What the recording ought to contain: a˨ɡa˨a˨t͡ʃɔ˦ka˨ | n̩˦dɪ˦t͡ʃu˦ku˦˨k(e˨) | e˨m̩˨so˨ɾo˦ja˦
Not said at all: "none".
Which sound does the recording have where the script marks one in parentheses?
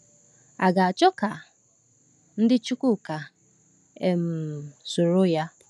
a˨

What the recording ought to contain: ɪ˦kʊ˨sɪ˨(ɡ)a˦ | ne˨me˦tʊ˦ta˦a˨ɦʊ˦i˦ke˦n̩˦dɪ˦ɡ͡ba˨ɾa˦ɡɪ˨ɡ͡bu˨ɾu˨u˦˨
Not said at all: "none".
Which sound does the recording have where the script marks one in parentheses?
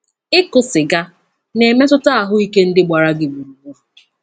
ɡ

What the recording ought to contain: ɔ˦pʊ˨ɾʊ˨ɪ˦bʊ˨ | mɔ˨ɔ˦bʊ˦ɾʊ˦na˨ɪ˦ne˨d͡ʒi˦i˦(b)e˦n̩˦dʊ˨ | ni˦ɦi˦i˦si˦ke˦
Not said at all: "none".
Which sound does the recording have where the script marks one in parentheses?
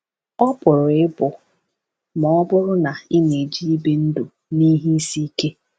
b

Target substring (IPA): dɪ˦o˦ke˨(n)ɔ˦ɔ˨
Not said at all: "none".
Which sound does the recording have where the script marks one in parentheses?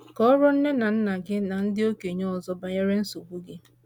ɲ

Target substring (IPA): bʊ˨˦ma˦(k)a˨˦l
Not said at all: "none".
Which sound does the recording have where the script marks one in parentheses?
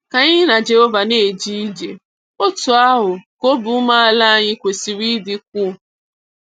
none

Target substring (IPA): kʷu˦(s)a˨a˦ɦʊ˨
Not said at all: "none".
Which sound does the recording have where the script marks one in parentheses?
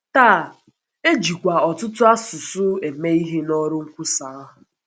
s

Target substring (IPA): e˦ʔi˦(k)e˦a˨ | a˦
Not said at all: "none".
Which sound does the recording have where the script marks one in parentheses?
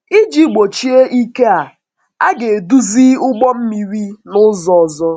k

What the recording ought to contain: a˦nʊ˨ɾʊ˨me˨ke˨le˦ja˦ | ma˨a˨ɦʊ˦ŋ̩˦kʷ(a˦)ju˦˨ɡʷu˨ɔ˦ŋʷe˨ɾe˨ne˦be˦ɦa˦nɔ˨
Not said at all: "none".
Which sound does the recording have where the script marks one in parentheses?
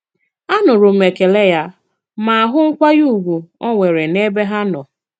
a˦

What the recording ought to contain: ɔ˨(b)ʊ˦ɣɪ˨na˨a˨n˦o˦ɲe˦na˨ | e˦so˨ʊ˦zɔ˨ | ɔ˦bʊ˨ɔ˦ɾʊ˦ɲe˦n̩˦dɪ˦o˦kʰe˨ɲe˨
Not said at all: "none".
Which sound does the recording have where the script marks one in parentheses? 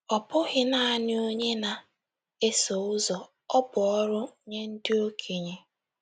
p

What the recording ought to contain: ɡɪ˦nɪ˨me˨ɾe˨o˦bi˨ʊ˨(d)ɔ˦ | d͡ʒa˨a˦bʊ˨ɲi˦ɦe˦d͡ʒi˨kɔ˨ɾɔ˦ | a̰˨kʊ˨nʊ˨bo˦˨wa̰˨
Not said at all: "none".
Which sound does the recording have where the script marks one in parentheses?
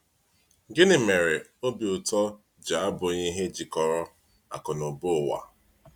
t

